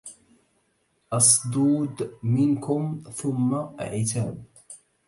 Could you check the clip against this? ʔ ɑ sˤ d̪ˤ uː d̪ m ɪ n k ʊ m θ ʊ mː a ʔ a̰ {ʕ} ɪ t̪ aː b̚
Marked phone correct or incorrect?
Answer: correct